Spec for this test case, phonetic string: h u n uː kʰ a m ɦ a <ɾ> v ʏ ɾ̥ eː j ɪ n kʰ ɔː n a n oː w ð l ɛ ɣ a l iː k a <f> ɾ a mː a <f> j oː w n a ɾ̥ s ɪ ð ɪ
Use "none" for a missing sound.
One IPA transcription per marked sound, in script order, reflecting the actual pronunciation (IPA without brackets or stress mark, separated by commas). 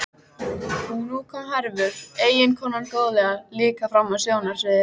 ɾ, f, s